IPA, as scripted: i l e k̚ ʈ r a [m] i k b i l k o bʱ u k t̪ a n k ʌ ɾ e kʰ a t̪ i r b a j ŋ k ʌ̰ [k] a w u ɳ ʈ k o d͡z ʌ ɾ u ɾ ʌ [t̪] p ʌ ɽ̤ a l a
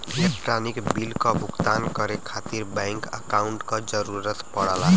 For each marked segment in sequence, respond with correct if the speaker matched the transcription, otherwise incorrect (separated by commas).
incorrect, correct, correct